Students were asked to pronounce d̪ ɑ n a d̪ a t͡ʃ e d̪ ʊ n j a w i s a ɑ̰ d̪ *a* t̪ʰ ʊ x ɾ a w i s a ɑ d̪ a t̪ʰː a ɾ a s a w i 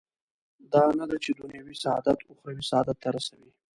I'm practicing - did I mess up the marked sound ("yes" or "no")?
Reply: no